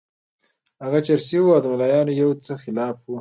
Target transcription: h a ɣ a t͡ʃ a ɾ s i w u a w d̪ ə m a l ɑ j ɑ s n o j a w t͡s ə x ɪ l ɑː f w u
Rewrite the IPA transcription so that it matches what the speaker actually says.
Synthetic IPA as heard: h a ɣ a t͡ʃ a ɾ s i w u a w d̪ ə m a l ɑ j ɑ n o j a w t͡s ə x ɪ l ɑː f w u